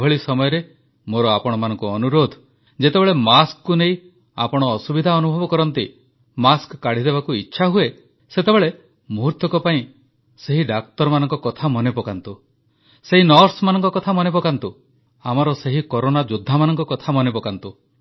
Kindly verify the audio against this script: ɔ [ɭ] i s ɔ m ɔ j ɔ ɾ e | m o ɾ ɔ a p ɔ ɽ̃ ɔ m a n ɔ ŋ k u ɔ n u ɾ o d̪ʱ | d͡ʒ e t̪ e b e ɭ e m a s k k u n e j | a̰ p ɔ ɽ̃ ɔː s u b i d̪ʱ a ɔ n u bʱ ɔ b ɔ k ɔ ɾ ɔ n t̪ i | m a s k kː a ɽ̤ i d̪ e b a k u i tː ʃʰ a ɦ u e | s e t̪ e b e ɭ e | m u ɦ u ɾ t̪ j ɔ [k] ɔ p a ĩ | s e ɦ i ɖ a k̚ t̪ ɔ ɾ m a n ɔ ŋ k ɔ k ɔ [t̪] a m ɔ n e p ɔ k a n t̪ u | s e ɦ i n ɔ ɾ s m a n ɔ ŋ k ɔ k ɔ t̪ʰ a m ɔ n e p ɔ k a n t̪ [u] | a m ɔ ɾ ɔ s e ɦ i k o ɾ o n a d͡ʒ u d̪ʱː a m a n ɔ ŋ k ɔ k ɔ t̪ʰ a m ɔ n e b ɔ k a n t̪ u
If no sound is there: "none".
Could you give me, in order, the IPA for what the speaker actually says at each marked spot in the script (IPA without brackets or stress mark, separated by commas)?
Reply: ɭ, k, t̪ʰ, u